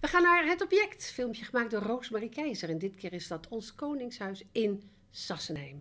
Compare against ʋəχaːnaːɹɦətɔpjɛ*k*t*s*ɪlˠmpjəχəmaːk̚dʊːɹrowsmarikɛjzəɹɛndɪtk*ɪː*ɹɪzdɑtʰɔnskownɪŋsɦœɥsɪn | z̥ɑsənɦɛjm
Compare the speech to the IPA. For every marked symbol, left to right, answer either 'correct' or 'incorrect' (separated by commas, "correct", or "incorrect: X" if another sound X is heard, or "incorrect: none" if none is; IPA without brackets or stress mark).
correct, incorrect: f, correct